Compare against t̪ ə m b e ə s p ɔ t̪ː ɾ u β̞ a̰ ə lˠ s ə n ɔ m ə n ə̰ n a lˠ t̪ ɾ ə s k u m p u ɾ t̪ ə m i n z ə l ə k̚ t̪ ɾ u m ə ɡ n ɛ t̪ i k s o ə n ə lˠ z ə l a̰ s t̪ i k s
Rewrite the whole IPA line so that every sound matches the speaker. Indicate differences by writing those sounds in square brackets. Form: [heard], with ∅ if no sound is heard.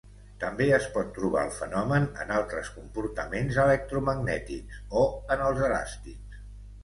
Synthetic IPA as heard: t̪ ə m b e ə s p ɔ t̪ː ɾ u β̞ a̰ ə lˠ [f] ə n ɔ m ə n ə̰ n a lˠ t̪ ɾ ə s k u m p u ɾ t̪ ə m [e] n z ə l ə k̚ t̪ ɾ u m ə ɡ n ɛ t̪ i k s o ə n ə lˠ z ə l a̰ s t̪ i k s

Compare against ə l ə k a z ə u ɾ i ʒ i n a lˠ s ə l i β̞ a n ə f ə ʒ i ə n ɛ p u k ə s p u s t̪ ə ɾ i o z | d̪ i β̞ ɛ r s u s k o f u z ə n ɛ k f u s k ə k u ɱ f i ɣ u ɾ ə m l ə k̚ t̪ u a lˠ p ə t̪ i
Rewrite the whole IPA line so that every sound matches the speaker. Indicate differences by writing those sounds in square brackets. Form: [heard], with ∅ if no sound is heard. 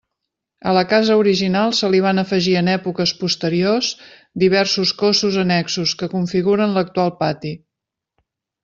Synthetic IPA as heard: ə l ə k a z ə u ɾ i ʒ i n a lˠ s ə l i β̞ a n ə f ə ʒ i ə n ɛ p u k ə s p u s t̪ ə ɾ i o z | d̪ i β̞ ɛ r s u s k o [s] u z ə n ɛ k [s] u s k ə k u ɱ f i ɣ u ɾ ə [n] l ə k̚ t̪ u a lˠ p [a] t̪ i

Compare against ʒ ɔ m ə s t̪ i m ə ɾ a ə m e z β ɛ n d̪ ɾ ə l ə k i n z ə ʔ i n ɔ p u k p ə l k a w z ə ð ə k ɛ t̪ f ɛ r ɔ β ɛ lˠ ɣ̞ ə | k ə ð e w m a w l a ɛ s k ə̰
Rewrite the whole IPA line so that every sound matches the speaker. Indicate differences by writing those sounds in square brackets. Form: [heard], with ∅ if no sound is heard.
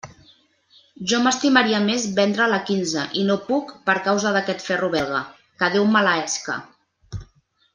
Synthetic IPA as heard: ʒ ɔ m ə s t̪ i m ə ɾ [i] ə m e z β ɛ n d̪ ɾ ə l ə k i n z ə ʔ i n [o] p u k p ə [ɾ] k a w z ə ð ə k ɛ t̪ f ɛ r [u] β ɛ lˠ ɣ̞ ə | k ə ð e w m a [∅] l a ɛ s k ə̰

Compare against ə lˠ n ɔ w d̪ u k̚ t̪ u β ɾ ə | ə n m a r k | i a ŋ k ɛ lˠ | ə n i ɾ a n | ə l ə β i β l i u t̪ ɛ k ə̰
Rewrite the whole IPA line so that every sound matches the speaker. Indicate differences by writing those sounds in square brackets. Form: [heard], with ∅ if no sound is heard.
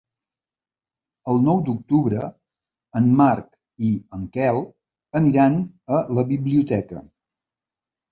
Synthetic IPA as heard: ə lˠ n ɔ w d̪ u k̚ t̪ u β ɾ ə | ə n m a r k | i [ə] ŋ k ɛ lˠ | ə n i ɾ a n | ə l ə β i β l i u t̪ ɛ k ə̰

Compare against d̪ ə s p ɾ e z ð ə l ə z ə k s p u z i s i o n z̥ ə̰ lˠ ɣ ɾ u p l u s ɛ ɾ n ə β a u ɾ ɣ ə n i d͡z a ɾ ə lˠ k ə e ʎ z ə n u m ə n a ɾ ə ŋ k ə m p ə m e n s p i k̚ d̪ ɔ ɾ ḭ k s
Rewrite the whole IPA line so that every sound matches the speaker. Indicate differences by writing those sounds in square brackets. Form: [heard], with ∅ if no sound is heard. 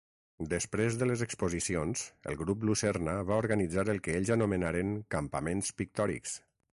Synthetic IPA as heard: d̪ ə s p ɾ e z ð ə l ə z ə k s p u z i s i o n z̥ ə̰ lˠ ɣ ɾ u p l u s ɛ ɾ n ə β a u ɾ ɣ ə n i d͡z a ɾ ə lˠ k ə e ʎ z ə n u m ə n a ɾ ə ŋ k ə m p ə m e n s p i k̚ [t̪] ɔ ɾ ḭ k s

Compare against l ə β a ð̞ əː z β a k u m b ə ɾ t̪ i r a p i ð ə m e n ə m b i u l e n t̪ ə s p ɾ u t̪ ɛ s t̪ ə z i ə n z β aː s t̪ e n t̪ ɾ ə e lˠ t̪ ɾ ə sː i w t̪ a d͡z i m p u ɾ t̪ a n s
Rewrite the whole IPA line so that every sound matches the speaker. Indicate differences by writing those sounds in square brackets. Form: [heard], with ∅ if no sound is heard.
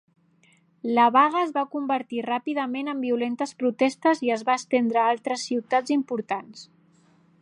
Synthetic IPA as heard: l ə β a [ɣ̞] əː z β a k u m b ə ɾ t̪ i r a p i ð ə m e n ə m b i u l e n t̪ ə s p ɾ u t̪ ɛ s t̪ ə z i ə [∅] z β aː s t̪ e n [d̪] ɾ ə [a] lˠ t̪ ɾ ə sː i w t̪ a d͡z i m p u ɾ t̪ a n s

